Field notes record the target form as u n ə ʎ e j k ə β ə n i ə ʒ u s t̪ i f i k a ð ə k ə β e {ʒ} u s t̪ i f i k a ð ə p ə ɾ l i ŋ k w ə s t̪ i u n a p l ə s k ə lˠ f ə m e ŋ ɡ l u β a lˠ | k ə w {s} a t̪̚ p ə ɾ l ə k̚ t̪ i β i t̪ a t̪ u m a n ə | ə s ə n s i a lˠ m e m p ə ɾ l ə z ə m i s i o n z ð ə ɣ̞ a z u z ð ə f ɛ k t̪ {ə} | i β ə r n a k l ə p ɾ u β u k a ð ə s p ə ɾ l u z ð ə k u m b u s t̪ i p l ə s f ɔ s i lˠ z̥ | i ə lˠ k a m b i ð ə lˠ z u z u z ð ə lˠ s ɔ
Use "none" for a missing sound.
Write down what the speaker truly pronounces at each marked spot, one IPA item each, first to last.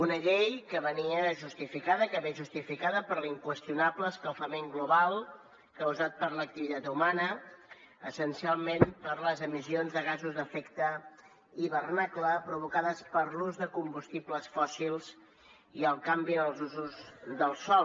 ʒ, z, ə

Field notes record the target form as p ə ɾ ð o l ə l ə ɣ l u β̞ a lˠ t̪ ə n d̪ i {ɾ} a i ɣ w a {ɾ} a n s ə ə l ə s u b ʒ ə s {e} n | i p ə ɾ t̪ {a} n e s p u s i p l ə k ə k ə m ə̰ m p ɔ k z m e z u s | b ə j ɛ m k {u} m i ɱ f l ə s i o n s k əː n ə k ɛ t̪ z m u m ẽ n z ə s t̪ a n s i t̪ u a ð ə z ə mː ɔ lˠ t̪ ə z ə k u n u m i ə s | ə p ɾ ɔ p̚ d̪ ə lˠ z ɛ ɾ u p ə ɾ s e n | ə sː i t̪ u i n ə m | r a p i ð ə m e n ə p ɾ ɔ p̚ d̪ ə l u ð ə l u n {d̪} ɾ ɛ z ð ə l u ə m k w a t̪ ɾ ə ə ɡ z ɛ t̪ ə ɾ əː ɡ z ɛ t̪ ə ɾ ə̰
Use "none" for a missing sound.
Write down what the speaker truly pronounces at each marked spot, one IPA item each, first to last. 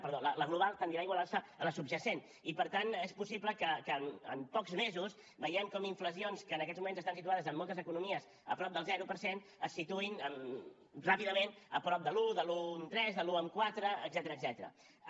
ɾ, l, e, a, ɔ, t̪

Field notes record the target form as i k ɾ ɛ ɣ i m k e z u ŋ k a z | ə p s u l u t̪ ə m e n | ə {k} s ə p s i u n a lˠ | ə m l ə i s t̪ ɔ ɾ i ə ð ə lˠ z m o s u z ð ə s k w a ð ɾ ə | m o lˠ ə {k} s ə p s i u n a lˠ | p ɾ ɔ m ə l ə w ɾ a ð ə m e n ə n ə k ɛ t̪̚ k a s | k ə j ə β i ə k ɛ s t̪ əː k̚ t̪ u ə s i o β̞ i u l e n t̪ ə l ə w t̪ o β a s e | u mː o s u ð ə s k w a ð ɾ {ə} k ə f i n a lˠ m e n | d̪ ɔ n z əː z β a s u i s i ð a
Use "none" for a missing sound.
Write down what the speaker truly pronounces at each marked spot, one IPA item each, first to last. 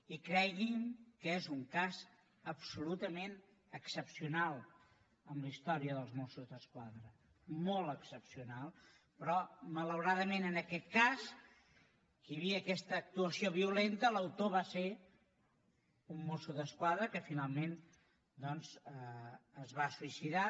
k, k, ə

